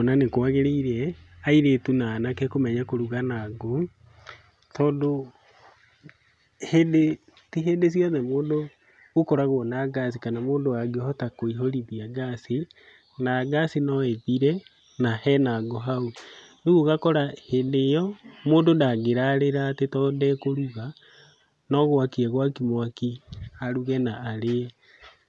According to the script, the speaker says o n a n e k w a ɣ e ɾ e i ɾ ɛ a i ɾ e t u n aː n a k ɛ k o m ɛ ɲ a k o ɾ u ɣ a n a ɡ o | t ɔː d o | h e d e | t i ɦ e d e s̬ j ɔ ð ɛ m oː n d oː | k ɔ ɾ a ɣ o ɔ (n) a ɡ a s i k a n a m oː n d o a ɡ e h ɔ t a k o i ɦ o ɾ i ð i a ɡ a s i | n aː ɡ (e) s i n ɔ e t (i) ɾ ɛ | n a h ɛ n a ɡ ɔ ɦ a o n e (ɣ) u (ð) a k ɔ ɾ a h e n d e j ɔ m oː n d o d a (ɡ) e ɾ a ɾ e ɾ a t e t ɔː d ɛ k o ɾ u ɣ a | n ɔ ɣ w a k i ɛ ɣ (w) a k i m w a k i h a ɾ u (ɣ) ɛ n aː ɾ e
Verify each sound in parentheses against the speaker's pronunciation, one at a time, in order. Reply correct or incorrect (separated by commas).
correct, incorrect, correct, correct, incorrect, correct, correct, correct